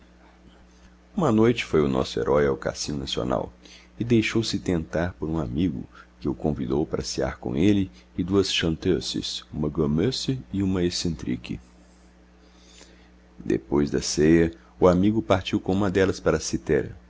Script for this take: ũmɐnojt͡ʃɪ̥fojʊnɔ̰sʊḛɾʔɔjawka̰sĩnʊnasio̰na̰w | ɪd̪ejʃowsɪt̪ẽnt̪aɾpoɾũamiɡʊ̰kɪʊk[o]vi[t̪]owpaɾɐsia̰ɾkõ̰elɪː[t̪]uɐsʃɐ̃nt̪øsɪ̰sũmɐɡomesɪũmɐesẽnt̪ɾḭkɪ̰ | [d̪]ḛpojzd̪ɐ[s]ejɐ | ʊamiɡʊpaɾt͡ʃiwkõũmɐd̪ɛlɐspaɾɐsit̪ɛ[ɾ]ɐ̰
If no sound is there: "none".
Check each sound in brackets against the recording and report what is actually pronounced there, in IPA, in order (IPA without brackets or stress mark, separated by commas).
õ, d̪, d̪, d̪, s, ɾ